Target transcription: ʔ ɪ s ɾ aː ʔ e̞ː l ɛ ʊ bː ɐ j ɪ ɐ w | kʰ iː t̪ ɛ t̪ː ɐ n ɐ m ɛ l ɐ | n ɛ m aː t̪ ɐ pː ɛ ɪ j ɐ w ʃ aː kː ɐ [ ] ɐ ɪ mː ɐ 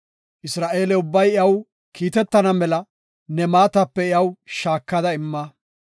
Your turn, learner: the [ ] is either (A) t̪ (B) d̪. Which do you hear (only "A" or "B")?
B